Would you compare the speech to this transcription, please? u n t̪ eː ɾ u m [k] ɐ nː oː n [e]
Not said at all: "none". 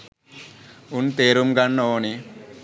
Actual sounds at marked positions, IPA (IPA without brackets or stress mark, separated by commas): ɡ, i